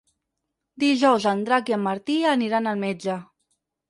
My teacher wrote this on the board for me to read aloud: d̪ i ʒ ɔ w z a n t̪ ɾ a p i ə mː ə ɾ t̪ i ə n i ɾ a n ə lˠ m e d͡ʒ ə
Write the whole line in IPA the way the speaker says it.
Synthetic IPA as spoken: d̪ i ʒ ɔ w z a n d̪ ɾ a k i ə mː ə ɾ t̪ i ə n i ɾ a n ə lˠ m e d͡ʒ ə